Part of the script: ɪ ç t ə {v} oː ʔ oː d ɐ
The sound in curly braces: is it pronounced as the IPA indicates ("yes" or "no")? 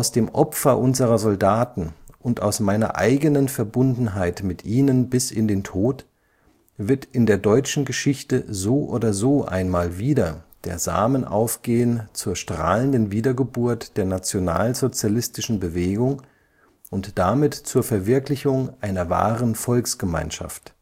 no